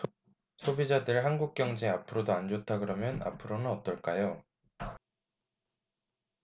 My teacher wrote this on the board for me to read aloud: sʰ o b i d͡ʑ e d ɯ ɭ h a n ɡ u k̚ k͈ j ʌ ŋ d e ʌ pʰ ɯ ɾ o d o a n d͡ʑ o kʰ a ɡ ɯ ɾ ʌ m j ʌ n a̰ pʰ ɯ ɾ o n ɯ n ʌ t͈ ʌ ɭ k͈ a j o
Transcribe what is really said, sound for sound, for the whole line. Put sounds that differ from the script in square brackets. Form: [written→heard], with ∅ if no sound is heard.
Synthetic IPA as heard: sʰ o b i d͡ʑ [e→a] d ɯ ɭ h a n ɡ u k̚ k͈ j ʌ ŋ [d→d͡ʑ] e [ʌ→a] pʰ ɯ ɾ o d o a n d͡ʑ o [kʰ→tʰ] a ɡ ɯ ɾ ʌ m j ʌ n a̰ pʰ ɯ ɾ o n ɯ n ʌ t͈ ʌ ɭ k͈ a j o